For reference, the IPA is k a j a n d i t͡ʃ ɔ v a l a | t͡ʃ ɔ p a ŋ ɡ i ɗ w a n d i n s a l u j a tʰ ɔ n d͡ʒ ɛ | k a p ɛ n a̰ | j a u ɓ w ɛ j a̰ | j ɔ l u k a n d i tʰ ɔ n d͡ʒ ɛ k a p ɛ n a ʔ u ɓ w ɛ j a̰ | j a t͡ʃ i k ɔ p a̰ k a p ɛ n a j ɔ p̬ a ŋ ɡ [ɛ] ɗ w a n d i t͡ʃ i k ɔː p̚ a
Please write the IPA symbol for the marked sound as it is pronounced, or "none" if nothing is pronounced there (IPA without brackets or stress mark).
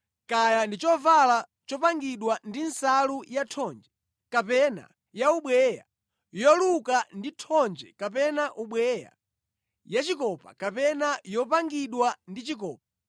i